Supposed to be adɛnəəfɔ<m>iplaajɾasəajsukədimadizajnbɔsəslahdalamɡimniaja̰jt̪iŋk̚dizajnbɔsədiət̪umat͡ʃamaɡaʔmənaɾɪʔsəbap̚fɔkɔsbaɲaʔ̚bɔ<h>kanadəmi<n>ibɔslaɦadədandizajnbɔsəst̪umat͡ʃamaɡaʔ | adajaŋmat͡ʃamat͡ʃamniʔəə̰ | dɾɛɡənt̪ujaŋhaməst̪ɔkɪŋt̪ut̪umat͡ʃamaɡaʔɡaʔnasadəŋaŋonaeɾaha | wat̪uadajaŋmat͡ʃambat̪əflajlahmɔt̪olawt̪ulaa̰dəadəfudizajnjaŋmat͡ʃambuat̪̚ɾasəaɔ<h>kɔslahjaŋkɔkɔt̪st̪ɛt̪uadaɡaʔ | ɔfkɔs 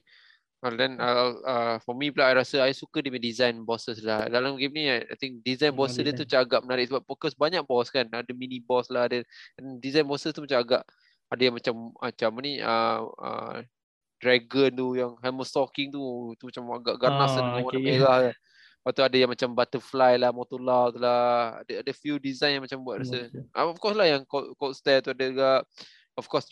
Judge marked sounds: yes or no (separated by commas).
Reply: yes, no, yes, no